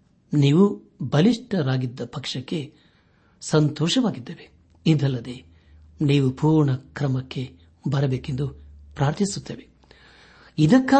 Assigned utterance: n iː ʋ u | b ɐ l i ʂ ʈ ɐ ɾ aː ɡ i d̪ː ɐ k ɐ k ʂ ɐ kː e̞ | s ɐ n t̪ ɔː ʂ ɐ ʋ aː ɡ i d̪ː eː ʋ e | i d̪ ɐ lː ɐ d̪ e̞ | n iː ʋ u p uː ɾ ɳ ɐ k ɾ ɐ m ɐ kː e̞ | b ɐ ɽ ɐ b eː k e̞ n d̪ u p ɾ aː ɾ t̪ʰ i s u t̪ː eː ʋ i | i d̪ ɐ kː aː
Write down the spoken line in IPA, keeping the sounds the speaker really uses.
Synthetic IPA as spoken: n iː ʋ u | b ɐ l i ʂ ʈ ɐ ɾ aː ɡ i d̪ː ɐ p ɐ k ʂ ɐ kː e̞ | s ɐ n t̪ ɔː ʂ ɐ ʋ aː ɡ i d̪ː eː ʋ e | i d̪ ɐ lː ɐ d̪ e̞ | n iː ʋ u p uː ɾ ɳ ɐ k ɾ ɐ m ɐ kː e̞ | b ɐ ɾ ɐ b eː k e̞ n d̪ u p ɾ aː ɾ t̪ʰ i s u t̪ː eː ʋ e | i d̪ ɐ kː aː